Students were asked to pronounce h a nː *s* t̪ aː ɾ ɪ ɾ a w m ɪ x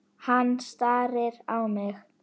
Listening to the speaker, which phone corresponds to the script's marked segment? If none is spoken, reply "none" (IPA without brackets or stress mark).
s